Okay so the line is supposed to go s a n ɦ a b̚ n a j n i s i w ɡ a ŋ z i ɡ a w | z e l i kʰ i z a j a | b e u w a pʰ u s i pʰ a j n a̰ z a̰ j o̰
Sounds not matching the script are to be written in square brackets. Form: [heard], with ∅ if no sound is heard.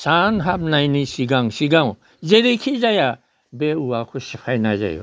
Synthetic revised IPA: s a n ɦ a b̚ n a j n i s i [∅] ɡ a ŋ [s] i ɡ a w | z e [ɾ] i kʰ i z a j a | b e u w a [kʰ] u s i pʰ a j n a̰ z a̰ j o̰

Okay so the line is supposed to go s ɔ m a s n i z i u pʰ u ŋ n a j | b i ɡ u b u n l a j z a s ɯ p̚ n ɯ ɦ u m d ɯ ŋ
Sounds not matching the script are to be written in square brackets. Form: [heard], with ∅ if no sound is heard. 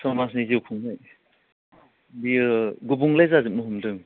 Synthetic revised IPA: s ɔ m a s n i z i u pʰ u ŋ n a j | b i ɡ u b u [ŋ] l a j z a [z] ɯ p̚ n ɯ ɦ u m d ɯ ŋ

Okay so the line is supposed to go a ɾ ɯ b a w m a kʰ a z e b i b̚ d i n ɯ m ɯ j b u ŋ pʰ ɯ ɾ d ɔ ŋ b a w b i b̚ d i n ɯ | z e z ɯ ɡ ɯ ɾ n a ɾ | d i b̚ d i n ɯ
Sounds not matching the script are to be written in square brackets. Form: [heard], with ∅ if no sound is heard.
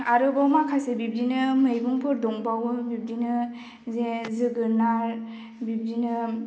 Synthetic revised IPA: a ɾ ɯ b a w m a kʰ a [s] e b i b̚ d i n ɯ m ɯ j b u ŋ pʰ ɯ ɾ d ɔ ŋ b a w b i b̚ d i n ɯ | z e z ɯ ɡ ɯ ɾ n a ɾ | [b] i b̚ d i n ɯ

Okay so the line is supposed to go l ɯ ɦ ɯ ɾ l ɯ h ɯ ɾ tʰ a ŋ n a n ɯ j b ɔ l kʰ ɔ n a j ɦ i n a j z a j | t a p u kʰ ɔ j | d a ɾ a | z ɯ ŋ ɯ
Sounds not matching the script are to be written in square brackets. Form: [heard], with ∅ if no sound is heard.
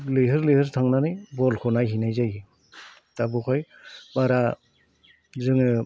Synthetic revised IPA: l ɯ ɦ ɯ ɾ l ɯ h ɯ ɾ tʰ a ŋ n a n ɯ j b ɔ l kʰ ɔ n a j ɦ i n a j z a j | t a [b] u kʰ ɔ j | [b] a ɾ a | z ɯ ŋ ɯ

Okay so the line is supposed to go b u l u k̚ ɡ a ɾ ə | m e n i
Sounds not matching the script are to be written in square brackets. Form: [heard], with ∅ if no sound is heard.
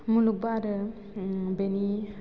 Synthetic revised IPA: [m] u l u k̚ [b] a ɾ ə | [b] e n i

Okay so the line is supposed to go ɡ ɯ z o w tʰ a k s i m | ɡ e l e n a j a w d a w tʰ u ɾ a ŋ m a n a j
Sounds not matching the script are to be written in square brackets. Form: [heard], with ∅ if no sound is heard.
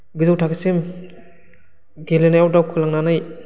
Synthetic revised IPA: ɡ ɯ z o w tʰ a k s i m | ɡ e l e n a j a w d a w [kʰ] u [l] a ŋ [n] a n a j

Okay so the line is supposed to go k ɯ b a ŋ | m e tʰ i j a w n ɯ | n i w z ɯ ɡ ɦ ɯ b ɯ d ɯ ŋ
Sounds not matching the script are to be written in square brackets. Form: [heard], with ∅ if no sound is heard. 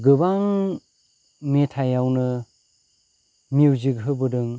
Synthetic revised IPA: [ɡ] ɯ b a ŋ | m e tʰ [a] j a w n ɯ | [m] i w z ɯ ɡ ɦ ɯ b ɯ d ɯ ŋ

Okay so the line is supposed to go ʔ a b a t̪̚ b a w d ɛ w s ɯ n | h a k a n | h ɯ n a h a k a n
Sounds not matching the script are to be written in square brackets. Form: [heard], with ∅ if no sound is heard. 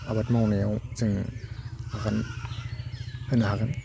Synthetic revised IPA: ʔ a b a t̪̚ [m] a w [n] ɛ w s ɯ [ŋ] | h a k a n | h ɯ n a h a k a n

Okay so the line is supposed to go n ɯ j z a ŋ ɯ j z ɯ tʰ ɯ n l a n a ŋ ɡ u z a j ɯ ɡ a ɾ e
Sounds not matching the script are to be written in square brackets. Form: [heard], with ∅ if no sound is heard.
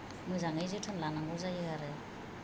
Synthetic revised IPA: [m] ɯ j z a ŋ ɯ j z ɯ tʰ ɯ n l a n a ŋ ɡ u z a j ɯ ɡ a ɾ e

